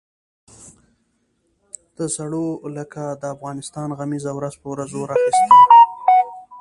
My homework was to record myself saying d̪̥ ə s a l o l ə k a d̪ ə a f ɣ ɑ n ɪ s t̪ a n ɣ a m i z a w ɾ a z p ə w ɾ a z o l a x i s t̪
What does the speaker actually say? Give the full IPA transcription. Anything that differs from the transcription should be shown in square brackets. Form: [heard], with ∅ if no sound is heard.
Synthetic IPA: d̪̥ ə s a [ɽ] o l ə k a d̪ ə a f ɣ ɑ n ɪ s t̪ [ɑ] n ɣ a m i z a w ɾ a z p ə w ɾ a z o [ɾ] a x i s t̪